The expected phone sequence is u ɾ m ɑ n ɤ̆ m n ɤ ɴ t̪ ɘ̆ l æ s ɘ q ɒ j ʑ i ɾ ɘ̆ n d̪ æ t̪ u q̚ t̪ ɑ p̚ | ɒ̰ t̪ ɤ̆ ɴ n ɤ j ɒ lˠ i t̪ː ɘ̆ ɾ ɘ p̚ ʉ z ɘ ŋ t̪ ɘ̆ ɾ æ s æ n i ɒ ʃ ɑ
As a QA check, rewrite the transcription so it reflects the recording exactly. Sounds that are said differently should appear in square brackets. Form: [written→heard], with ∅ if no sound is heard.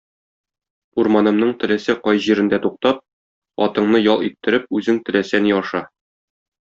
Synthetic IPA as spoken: u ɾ m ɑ n ɤ̆ m n ɤ ɴ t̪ ɘ̆ l æ s ɘ q ɒ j ʑ i ɾ ɘ̆ n d̪ æ t̪ u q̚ t̪ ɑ p̚ | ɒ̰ t̪ ɤ̆ ɴ n ɤ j ɒ lˠ i t̪ː ɘ̆ ɾ ɘ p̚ ʉ z ɘ ŋ t̪ ɘ̆ [ɾ→l] æ s æ n i ɒ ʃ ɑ